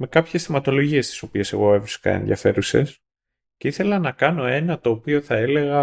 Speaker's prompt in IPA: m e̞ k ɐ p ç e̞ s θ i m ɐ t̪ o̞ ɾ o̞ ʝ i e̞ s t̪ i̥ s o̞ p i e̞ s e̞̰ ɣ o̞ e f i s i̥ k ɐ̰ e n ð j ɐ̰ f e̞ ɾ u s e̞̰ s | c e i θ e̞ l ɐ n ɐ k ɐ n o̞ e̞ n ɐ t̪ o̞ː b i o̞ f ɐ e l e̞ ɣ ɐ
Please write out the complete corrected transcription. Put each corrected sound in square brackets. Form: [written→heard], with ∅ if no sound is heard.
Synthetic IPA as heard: m e̞ k ɐ p ç e̞ s θ i m ɐ t̪ o̞ [ɾ→l] o̞ ʝ i e̞ s t̪ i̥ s o̞ p i e̞ s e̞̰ ɣ o̞ e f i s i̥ k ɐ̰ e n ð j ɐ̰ f e̞ ɾ u s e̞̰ s | c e i θ e̞ l ɐ n ɐ k ɐ n o̞ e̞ n ɐ t̪ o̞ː [b→p] i o̞ [f→θ] ɐ e l e̞ ɣ ɐ